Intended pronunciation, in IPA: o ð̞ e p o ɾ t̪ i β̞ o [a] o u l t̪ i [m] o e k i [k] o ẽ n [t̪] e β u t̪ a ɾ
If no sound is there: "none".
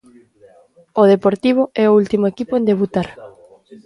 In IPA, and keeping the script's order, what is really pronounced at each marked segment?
ɛ, m, p, d̪

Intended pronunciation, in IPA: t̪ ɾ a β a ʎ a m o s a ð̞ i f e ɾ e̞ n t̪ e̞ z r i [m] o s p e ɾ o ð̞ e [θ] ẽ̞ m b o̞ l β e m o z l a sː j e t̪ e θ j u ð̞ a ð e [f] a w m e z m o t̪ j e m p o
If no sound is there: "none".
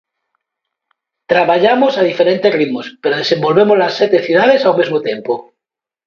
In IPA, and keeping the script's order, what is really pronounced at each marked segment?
m, s, s

